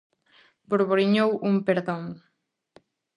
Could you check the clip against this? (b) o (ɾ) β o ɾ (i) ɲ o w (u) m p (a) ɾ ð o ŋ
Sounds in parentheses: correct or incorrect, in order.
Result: correct, correct, correct, correct, incorrect: e

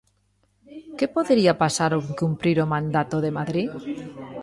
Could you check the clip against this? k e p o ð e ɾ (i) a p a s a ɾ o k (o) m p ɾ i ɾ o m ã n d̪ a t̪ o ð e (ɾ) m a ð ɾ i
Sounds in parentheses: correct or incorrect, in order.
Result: correct, incorrect: u, incorrect: none

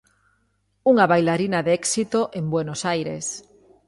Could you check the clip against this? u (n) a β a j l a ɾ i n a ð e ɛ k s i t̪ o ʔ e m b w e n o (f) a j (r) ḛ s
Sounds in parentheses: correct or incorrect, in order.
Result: incorrect: ŋ, incorrect: s, incorrect: ɾ

